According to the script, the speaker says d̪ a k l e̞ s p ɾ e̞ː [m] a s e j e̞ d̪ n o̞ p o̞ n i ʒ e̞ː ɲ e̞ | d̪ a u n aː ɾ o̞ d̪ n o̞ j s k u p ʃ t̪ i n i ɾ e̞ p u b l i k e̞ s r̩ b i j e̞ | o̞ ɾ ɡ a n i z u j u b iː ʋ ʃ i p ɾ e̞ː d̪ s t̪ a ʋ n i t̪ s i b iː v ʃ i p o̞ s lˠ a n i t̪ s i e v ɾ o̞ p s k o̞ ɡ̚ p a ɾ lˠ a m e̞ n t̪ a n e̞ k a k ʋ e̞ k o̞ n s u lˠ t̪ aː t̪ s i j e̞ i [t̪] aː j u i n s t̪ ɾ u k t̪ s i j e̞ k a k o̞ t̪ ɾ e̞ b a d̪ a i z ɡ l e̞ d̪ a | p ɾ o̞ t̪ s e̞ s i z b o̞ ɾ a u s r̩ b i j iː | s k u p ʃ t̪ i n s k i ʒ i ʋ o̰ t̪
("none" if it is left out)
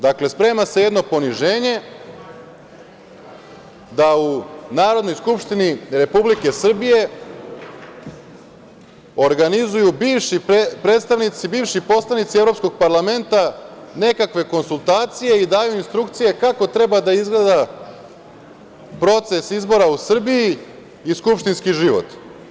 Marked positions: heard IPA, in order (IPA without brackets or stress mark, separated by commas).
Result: m, d̪